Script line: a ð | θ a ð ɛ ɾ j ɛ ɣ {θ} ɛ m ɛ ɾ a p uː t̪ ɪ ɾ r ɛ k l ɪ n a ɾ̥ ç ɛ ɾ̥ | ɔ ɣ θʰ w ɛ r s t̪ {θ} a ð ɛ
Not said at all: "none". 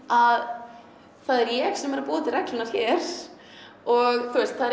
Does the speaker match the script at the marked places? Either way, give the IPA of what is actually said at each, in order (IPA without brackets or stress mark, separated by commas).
s, θ